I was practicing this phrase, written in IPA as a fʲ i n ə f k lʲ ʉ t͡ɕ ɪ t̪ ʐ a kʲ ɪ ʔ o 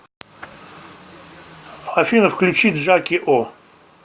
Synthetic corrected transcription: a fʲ i n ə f k lʲ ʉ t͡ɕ i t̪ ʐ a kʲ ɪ ʔ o